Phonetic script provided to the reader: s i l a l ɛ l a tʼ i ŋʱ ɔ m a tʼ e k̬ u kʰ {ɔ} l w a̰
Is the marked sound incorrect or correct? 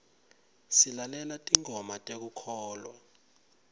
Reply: incorrect